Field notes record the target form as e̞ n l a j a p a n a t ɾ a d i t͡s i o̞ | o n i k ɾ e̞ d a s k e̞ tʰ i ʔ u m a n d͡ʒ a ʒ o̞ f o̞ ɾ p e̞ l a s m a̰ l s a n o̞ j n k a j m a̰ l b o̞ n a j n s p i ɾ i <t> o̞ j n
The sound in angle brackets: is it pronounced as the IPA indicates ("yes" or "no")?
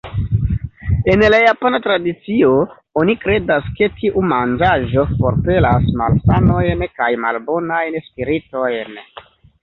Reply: yes